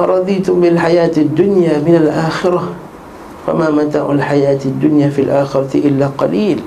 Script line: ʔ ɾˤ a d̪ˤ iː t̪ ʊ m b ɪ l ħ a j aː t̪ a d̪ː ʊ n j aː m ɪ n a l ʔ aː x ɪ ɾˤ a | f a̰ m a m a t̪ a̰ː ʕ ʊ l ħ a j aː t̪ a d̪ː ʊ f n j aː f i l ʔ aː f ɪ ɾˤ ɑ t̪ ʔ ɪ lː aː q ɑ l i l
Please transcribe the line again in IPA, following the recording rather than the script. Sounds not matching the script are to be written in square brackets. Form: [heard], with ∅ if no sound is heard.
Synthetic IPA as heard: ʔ ɾˤ [ɑ] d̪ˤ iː t̪ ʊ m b ɪ l ħ a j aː t̪ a d̪ː ʊ n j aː m ɪ n a l ʔ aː x ɪ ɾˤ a | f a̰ m a m a t̪ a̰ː ʕ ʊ l ħ a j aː t̪ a d̪ː ʊ [∅] n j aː f i l ʔ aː [x] ɪ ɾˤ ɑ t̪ ʔ ɪ lː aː q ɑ l [iː] l